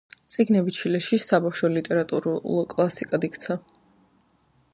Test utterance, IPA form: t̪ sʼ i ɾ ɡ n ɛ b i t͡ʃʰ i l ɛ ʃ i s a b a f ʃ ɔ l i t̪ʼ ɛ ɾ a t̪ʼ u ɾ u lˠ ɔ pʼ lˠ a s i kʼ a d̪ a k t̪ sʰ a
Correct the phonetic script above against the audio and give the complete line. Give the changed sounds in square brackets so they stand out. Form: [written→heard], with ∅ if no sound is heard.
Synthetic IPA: t̪ sʼ i [ɾ→∅] ɡ n ɛ b i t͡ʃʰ i l ɛ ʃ i s a b a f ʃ ɔ l i t̪ʼ ɛ ɾ a t̪ʼ u ɾ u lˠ ɔ [pʼ→kʼ] lˠ a s i kʼ a d̪ [a→i] k t̪ sʰ a